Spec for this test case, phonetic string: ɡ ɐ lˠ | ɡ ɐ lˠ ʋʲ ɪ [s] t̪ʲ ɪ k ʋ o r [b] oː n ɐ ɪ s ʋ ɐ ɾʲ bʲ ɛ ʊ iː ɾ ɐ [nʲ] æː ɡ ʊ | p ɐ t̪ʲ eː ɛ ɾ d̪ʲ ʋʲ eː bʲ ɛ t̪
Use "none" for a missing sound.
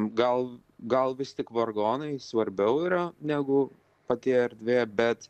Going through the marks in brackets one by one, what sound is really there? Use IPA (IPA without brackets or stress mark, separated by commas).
s, ɡ, nʲ